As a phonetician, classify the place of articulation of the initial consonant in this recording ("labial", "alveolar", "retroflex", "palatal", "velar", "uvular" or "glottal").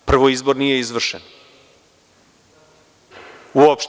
labial